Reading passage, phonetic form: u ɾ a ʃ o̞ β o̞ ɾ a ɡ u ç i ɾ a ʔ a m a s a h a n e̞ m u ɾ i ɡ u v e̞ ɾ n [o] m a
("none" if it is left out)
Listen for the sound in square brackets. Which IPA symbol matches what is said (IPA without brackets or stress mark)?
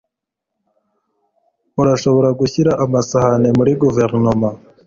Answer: o